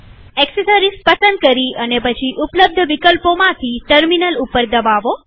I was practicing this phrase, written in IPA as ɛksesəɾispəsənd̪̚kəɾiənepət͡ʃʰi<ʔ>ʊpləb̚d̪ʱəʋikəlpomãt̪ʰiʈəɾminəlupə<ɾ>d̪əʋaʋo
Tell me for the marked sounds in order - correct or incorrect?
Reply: correct, correct

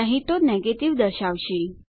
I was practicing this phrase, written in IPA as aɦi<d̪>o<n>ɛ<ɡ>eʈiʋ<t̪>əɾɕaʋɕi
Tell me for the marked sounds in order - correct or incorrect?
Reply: incorrect, correct, correct, incorrect

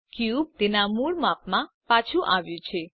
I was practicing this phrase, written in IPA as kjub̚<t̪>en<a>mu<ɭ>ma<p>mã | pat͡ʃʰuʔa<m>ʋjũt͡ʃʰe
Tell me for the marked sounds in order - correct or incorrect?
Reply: correct, correct, correct, correct, incorrect

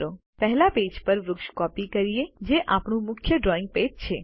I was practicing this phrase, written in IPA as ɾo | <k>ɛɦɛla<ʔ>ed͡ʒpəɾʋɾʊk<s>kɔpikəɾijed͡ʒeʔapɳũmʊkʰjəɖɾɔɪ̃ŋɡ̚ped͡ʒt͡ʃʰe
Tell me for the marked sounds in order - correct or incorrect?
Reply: incorrect, incorrect, incorrect

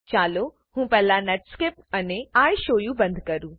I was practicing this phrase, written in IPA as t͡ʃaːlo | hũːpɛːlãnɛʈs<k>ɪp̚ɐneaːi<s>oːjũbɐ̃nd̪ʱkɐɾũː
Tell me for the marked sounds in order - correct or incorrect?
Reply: correct, incorrect

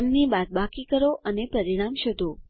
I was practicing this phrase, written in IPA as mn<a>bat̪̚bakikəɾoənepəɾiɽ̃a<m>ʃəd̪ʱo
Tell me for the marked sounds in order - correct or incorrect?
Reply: incorrect, correct

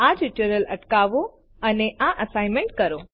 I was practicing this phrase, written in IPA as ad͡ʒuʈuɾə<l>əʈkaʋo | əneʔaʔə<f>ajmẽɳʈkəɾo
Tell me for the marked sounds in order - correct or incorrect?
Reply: correct, incorrect

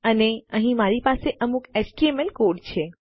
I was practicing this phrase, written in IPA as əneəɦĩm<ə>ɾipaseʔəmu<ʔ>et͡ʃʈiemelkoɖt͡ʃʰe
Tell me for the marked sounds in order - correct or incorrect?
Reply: incorrect, incorrect

